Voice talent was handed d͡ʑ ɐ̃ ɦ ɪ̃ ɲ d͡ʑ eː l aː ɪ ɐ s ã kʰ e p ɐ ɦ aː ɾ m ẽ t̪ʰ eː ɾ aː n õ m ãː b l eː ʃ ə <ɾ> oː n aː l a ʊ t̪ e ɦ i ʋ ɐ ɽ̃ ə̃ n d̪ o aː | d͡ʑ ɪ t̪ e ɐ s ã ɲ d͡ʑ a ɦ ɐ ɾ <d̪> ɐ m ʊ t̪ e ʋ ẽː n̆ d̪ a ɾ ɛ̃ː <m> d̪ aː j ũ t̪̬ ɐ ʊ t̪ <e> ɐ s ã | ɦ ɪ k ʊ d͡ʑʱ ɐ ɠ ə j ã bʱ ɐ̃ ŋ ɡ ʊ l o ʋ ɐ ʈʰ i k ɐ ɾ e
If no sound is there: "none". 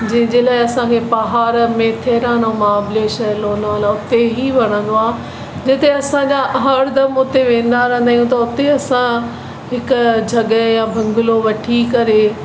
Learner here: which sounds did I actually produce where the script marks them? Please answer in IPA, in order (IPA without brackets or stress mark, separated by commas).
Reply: l, d̪, n, e